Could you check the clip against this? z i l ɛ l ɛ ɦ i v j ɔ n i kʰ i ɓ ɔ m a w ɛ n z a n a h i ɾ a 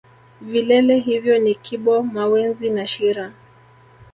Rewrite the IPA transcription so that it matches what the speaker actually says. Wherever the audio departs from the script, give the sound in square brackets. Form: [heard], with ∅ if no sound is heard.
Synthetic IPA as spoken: [v] i l ɛ l ɛ ɦ i v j ɔ n i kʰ i ɓ ɔ m a w ɛ n z [i] n a [ʃ] i ɾ a